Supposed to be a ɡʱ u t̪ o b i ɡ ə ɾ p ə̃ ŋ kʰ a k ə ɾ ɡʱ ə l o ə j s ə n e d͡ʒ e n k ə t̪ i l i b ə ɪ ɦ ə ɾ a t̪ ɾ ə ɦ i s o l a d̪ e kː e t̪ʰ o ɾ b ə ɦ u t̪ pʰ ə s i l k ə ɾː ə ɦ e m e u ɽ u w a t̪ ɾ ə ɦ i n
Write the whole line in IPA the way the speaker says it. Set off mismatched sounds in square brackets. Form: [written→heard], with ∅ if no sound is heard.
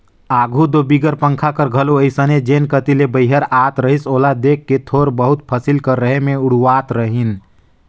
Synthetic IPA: a ɡʱ u [t̪→d̪] o b i ɡ ə ɾ p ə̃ ŋ kʰ a k ə ɾ ɡʱ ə l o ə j s ə n e d͡ʒ e n k ə t̪ i l [i→e] b ə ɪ ɦ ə ɾ a t̪ ɾ ə ɦ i s o l a d̪ e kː e t̪ʰ o ɾ b ə ɦ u t̪ pʰ ə s i l k ə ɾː ə ɦ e m e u ɽ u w a t̪ ɾ ə ɦ i n

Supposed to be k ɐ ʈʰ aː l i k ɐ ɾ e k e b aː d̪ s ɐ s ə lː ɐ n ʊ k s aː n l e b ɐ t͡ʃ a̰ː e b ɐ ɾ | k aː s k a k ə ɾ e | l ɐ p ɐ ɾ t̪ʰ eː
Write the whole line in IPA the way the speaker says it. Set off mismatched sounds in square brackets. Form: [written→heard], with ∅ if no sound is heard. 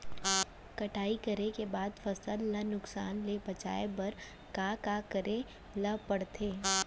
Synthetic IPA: k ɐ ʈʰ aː [l→∅] i k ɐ ɾ e k e b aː d̪ [s→f] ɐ s ə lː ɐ n ʊ k s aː n l e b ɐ t͡ʃ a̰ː e b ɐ ɾ | k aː [s→∅] k a k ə ɾ e | l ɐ p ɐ [ɾ→ɽ] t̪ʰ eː

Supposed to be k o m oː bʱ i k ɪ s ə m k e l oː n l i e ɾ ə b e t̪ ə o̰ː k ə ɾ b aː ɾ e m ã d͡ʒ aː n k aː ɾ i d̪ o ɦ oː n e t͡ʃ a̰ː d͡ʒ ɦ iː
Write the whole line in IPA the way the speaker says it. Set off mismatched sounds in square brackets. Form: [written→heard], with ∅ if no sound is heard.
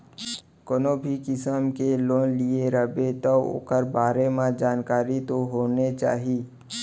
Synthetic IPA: k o [m→n] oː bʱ i k ɪ s ə m k e l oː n l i e ɾ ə b e t̪ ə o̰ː k ə ɾ b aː ɾ e m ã d͡ʒ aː n k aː ɾ i [d̪→t̪] o ɦ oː n e t͡ʃ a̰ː [d͡ʒ→∅] ɦ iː

